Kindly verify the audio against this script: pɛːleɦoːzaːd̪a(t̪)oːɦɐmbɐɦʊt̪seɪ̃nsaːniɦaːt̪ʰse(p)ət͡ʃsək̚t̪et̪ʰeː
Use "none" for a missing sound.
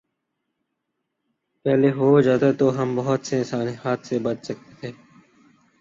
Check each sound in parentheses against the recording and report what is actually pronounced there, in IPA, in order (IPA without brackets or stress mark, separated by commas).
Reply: t̪, b